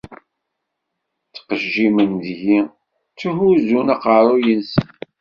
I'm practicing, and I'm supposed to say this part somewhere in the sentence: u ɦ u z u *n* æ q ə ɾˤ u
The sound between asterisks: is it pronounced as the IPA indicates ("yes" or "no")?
yes